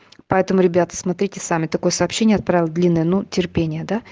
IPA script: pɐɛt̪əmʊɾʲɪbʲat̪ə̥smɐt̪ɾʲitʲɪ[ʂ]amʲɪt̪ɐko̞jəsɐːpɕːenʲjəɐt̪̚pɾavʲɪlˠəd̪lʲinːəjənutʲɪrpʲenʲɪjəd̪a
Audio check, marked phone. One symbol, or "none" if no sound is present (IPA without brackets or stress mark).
s